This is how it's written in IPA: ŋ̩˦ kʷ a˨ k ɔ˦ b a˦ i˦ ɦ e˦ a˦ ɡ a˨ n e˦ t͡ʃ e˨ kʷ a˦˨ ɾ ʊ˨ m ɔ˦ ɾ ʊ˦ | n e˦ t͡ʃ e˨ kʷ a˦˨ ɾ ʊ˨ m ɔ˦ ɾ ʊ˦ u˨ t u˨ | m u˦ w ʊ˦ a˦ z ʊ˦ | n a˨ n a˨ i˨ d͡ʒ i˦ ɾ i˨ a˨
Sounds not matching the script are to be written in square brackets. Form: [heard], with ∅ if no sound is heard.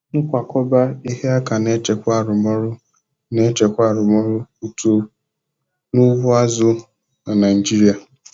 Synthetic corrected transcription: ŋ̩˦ kʷ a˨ k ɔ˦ b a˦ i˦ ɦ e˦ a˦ [k] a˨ n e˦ t͡ʃ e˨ kʷ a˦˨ ɾ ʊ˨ m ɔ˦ ɾ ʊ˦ | n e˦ t͡ʃ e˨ kʷ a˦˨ ɾ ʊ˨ m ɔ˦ ɾ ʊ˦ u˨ t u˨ | [n] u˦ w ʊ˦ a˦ z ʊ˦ | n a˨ n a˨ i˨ d͡ʒ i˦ ɾ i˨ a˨